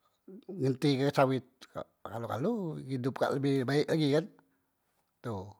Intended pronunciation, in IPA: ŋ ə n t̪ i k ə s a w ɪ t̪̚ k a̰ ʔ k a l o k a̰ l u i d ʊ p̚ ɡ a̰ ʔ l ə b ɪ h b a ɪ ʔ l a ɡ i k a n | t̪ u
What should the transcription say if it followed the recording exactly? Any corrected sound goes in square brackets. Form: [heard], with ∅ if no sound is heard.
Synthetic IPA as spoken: ŋ ə n t̪ i k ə s a w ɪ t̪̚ k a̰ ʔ k a l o k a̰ l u i d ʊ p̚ [k] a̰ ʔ l ə b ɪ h b a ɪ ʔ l a ɡ i k a n | t̪ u

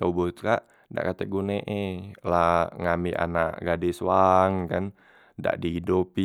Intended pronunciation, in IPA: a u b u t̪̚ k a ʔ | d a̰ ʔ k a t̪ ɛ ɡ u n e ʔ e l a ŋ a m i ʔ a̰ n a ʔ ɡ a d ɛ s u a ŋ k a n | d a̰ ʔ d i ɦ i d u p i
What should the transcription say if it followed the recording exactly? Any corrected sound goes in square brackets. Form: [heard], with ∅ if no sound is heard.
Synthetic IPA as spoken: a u b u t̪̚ k a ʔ | d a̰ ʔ k a t̪ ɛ ɡ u n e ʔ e l a ŋ a m i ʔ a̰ n a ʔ ɡ a d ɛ s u a ŋ k a n | d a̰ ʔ d i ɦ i d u p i

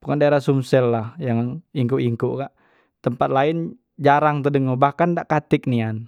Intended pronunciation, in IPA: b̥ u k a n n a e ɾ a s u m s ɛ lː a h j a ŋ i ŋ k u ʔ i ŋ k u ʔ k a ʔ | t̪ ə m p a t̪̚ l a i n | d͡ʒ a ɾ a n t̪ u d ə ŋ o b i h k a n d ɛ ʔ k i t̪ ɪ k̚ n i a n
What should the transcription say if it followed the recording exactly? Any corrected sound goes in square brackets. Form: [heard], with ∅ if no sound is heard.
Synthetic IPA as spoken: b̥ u k a n [d] a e ɾ a s u m s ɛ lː a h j a ŋ i ŋ k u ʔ i ŋ k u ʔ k a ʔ | t̪ ə m p a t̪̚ l a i n | d͡ʒ a ɾ a [ŋ] t̪ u d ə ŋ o b [a] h k a n d [a] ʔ k [a] t̪ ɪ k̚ n i a n

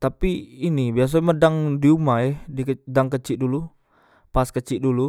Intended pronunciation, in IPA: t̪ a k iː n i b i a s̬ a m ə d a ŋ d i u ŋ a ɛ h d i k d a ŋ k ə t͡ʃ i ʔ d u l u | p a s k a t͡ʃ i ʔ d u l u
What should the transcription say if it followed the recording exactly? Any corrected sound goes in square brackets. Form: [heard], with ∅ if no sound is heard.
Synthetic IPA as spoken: t̪ a [p] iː n i b i a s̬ a m ə d a ŋ d i u [m] a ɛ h d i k d a ŋ k ə t͡ʃ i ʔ d u l u | p a s k [ə] t͡ʃ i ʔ d u l u

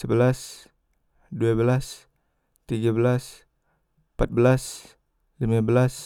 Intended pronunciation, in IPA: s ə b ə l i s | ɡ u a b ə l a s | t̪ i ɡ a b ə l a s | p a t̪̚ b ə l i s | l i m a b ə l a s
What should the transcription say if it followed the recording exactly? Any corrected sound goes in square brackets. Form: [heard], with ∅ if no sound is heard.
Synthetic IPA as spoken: s ə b ə l [a] s | [d] u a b ə l a s | t̪ i ɡ a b ə l a s | p a t̪̚ b ə l [a] s | l i m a b ə l a s

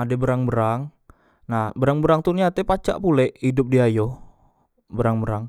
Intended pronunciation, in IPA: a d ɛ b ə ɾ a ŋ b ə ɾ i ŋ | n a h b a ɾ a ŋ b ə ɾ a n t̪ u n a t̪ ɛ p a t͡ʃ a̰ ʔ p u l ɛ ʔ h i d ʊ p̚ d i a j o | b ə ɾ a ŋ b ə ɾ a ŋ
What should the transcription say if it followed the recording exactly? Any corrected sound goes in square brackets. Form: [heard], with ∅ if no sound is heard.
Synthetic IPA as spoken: a d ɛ b ə ɾ a ŋ b ə ɾ [a] ŋ | n a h b [ə] ɾ a ŋ b ə ɾ a [ŋ] t̪ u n a t̪ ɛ p a t͡ʃ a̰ ʔ p u l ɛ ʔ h i d ʊ p̚ d i a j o | b ə ɾ a ŋ b ə ɾ a ŋ

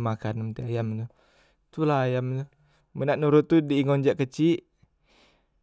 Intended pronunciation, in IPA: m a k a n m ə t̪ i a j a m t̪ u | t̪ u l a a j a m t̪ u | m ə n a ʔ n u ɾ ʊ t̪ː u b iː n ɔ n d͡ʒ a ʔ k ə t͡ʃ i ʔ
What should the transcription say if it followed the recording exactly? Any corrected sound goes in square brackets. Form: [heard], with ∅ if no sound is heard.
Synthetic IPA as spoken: m a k a n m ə t̪ i a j a m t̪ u | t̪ u l a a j a m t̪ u | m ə n a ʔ n u ɾ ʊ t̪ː u [d] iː [ŋ] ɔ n d͡ʒ a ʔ k ə t͡ʃ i ʔ

